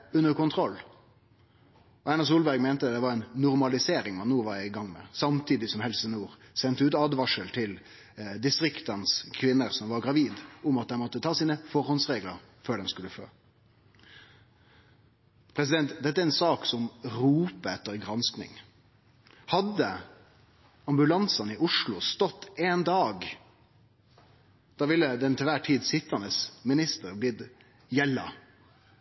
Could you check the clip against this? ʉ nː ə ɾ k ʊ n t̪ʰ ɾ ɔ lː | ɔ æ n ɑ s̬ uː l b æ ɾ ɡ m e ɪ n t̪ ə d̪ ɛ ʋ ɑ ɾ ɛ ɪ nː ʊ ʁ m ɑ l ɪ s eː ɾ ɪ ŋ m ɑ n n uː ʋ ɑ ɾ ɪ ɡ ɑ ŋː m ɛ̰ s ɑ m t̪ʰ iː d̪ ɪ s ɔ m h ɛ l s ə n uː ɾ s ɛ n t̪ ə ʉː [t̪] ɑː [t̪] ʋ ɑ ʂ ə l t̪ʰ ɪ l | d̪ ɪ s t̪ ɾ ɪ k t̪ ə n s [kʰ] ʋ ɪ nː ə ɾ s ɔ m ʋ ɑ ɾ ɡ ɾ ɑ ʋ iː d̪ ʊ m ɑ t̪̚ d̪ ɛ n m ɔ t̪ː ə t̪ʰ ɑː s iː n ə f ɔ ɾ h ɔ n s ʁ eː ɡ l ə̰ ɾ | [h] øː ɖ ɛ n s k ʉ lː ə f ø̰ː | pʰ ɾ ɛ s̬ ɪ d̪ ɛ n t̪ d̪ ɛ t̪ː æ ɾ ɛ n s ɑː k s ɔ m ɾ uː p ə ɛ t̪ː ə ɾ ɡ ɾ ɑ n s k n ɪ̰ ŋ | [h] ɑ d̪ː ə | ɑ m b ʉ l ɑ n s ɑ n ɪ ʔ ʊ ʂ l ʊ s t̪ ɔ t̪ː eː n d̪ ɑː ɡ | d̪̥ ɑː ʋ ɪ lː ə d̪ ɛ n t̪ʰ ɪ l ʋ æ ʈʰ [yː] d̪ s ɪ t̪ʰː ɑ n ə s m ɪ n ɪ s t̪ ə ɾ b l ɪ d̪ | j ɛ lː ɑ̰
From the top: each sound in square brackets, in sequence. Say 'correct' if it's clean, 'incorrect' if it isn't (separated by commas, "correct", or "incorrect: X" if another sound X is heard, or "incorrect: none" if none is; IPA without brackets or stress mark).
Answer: correct, incorrect: d̪, correct, incorrect: f, correct, incorrect: iː